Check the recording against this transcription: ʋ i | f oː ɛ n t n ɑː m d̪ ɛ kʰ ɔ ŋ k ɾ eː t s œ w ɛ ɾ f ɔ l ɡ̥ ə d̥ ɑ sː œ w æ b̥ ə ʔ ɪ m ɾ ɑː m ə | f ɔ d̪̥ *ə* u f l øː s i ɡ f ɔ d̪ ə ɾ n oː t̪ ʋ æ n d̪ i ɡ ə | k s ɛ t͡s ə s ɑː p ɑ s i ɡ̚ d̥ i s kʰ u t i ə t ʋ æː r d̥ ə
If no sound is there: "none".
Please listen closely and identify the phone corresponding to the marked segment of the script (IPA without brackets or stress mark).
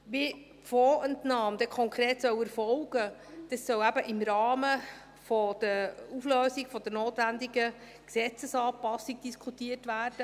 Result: ə